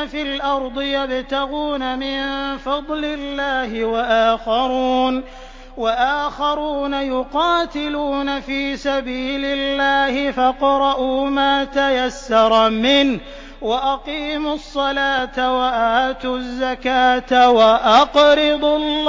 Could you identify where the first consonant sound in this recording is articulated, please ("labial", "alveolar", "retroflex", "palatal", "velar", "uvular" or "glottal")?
labial